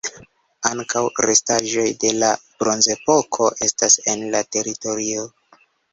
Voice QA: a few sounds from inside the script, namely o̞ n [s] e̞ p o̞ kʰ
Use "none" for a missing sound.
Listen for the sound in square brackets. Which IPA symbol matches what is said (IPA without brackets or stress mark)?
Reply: z